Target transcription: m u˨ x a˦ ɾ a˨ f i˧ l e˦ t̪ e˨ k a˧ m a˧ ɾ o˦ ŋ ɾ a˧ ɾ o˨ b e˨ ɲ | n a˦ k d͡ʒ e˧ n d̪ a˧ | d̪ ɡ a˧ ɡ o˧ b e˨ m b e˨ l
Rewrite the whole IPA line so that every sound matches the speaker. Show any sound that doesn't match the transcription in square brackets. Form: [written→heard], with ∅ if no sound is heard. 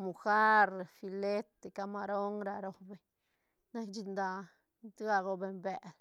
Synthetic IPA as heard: m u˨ x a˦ ɾ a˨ f i˧ l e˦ t̪ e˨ k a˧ m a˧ ɾ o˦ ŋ ɾ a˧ ɾ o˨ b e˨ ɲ | n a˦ k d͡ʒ [e˧→i˧] n d̪ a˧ | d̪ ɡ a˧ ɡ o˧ b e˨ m b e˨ l